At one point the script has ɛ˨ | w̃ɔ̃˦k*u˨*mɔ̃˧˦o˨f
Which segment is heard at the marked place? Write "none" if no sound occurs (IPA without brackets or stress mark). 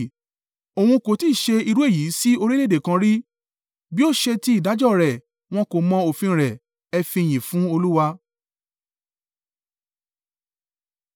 o˨